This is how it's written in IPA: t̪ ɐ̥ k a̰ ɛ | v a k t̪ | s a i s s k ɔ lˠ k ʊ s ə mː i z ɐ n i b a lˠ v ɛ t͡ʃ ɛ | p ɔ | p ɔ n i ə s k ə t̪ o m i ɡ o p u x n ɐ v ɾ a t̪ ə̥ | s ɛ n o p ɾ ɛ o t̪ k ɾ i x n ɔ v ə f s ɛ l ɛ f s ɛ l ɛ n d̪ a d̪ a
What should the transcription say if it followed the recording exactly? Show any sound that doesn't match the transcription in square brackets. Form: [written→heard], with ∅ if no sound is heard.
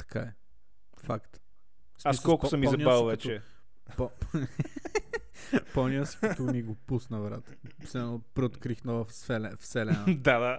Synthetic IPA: t̪ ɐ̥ k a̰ ɛ | [v→f] a k t̪ | s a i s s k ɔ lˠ k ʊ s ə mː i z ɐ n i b a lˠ v ɛ t͡ʃ ɛ | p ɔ | p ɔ n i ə s k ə t̪ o m i ɡ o p u [x→s] n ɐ v ɾ a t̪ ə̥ | s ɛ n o p ɾ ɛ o t̪ k ɾ i x n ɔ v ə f s ɛ l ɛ f s ɛ l ɛ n d̪ a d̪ a